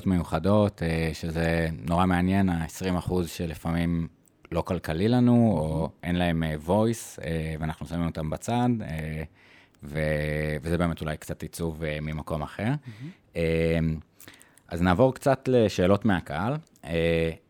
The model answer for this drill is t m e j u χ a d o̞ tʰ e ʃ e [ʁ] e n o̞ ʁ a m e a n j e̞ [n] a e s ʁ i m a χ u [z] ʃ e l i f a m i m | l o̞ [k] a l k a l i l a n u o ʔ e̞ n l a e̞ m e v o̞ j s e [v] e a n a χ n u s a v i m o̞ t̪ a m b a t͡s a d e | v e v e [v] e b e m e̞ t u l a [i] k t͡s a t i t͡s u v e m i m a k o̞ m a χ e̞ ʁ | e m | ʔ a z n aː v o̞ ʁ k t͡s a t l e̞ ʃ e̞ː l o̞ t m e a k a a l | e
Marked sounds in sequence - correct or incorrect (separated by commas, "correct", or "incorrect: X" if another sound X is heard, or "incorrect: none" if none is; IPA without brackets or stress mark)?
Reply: incorrect: z, correct, correct, correct, correct, incorrect: z, incorrect: j